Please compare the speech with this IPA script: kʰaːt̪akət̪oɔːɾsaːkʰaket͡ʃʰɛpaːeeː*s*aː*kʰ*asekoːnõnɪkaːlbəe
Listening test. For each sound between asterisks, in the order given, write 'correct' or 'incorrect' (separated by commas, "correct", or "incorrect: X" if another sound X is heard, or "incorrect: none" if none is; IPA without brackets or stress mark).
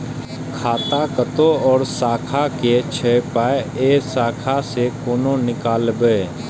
correct, correct